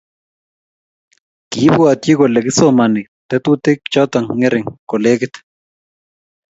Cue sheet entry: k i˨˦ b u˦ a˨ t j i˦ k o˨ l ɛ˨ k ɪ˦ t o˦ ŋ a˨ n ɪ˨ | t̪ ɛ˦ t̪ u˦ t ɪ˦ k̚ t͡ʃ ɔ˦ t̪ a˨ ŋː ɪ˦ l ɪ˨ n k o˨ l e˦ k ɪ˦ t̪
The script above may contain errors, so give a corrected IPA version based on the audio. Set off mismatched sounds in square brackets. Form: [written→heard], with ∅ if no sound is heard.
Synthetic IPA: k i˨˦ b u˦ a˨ t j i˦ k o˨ l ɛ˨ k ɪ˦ [t→s] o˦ [ŋ→m] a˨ n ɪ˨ | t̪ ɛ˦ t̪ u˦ t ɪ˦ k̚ t͡ʃ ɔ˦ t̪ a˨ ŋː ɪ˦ [l→ɾ] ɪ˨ [n→ŋ] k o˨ l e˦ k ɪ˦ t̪